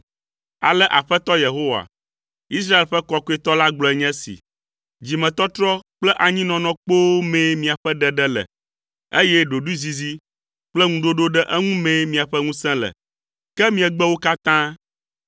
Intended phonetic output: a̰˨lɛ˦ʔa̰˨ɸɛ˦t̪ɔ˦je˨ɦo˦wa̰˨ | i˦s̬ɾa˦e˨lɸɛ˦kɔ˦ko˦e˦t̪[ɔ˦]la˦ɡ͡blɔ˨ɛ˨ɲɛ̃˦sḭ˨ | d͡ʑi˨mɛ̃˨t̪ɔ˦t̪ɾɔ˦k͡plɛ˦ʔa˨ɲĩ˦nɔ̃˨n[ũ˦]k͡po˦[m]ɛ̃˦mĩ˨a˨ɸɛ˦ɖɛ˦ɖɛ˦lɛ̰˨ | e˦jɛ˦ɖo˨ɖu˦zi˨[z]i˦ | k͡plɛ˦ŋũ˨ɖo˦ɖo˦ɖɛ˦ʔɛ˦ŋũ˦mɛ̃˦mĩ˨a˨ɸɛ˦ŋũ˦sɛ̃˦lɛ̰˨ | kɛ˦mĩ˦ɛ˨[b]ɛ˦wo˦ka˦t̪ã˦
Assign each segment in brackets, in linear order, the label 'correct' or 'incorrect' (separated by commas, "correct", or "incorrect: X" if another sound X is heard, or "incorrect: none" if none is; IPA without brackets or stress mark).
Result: correct, incorrect: ɔ̃˦, correct, correct, incorrect: ɡ͡b